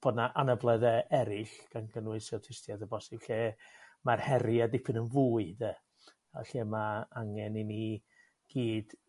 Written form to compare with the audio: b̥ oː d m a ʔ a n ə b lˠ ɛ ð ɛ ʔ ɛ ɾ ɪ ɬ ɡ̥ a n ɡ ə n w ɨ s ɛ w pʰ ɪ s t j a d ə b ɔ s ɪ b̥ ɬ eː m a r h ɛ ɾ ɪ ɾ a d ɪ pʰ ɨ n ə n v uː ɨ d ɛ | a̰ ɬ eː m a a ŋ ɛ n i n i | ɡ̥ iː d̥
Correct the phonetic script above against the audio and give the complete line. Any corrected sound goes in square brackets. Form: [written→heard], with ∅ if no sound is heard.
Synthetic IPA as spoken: b̥ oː d [m→n] a ʔ a n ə b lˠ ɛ ð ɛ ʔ ɛ ɾ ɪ ɬ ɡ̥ a n ɡ ə n w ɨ s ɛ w [pʰ→tʰ] ɪ s t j a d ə b ɔ s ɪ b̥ ɬ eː m a r h ɛ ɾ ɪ [ɾ→∅] a d ɪ pʰ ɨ n ə n v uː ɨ d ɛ | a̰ ɬ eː m a a ŋ ɛ n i n i | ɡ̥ iː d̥